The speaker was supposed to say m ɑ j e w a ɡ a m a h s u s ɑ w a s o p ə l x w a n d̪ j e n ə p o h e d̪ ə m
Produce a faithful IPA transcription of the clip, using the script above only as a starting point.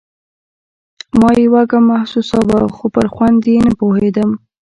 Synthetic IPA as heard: m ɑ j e w a ɡ a m a h s u s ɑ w a x o p ə ɾ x w a n d̪ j e n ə p o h e d̪ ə m